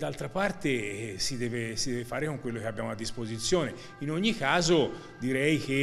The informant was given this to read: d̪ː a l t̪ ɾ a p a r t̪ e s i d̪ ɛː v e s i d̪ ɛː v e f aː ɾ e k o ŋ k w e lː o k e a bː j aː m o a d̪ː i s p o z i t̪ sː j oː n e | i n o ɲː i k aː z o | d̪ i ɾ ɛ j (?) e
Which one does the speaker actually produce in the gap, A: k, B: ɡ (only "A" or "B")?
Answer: A